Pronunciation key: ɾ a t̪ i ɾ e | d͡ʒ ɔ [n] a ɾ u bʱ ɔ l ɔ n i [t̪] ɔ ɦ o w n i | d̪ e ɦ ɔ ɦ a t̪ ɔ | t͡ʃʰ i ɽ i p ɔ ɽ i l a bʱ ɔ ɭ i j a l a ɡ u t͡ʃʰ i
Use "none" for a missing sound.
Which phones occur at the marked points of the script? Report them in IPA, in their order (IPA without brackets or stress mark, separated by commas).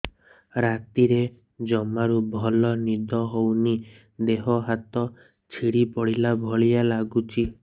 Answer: m, d̪